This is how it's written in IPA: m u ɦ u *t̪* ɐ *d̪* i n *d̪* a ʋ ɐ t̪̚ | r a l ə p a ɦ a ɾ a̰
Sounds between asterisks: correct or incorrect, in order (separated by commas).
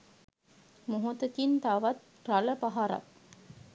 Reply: correct, incorrect, incorrect